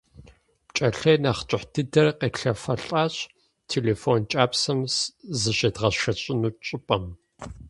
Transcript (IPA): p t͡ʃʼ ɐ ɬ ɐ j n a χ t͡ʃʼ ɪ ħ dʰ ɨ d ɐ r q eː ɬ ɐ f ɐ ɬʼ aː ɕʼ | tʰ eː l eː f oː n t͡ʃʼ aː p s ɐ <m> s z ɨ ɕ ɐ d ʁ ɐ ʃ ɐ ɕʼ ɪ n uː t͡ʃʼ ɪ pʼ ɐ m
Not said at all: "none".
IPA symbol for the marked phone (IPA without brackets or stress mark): m